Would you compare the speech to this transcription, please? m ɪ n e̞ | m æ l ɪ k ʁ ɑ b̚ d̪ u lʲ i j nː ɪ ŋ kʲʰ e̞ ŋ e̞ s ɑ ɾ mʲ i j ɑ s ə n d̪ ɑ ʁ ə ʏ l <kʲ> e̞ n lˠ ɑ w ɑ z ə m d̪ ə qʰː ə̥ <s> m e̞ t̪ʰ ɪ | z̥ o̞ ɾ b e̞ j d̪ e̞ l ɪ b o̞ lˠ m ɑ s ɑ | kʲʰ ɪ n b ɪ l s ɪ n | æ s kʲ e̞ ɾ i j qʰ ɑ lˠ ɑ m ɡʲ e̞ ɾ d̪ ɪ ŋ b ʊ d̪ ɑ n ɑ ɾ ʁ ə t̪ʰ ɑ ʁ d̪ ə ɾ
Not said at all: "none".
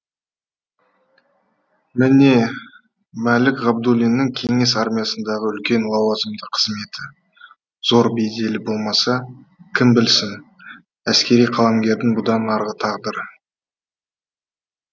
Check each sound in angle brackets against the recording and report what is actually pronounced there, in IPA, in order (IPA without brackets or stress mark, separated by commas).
kʲ, z